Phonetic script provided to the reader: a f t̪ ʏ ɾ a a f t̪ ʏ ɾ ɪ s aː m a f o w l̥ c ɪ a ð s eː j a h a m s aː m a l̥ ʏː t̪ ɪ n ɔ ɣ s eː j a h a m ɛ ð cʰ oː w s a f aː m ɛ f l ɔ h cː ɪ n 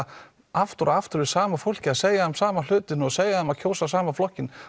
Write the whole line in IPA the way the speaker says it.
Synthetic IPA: a f t̪ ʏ ɾ a a f t̪ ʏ ɾ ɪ s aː m a f o w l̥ c ɪ a ð s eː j a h a m s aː m a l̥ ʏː t̪ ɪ n ɔ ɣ s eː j a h a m a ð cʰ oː w s a s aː m a f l ɔ h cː ɪ n